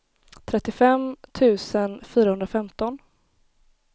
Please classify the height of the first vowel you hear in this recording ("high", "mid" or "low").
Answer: mid